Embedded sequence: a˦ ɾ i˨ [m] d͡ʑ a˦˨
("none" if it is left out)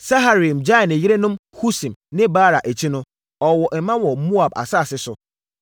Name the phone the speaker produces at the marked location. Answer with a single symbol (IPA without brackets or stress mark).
m